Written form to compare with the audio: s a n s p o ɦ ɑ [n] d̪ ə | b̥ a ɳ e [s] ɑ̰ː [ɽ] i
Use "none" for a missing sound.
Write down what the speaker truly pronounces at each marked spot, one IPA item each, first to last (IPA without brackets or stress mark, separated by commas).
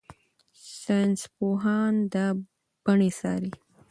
n, s, ɾ